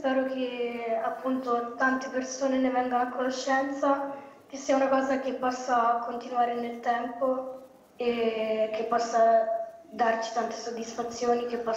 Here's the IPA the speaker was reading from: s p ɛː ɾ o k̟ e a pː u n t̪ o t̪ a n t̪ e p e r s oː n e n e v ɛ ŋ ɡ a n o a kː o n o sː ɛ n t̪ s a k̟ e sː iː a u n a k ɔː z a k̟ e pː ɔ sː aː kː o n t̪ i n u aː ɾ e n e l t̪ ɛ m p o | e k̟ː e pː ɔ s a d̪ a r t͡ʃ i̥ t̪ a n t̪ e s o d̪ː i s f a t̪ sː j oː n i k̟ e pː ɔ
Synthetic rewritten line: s p ɛː ɾ o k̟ e a pː u n t̪ o t̪ a n t̪ e p e r s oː n e n e v ɛ ŋ ɡ a n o a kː o n o ʃː ɛ n t̪ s a k̟ e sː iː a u n a k ɔː z a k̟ e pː ɔ sː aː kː o n t̪ i n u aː ɾ e n e l t̪ ɛ m p o | e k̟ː e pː ɔ sː a d̪ a r t͡ʃ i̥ t̪ a n t̪ e s o d̪ː i s f a t̪ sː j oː n i k̟ e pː ɔ